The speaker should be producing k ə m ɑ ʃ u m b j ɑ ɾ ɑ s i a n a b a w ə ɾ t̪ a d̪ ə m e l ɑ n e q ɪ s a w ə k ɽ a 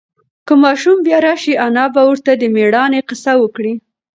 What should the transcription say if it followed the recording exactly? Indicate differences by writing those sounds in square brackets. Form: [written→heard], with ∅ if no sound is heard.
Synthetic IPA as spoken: k ə m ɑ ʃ u m b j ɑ ɾ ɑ [s→ʃ] i a n [a→ɑ] b a w ə ɾ t̪ a d̪ ə m e [l→ɽ] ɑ n e q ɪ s a w ə k ɽ [a→i]